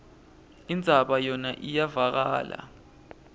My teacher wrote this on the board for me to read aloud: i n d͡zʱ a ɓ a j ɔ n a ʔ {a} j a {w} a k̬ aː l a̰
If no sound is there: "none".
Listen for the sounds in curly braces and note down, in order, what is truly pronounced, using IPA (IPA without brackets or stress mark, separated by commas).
i, v